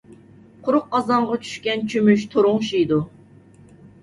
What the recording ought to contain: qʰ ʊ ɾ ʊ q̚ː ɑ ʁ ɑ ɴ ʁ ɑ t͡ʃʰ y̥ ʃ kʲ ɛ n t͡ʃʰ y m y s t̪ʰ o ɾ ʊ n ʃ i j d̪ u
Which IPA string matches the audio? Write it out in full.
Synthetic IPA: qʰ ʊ ɾ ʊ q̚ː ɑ z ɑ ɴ ʁ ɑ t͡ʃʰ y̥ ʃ kʲ ɛ n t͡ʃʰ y m y ʃ t̪ʰ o ɾ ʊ ŋ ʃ i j d̪ u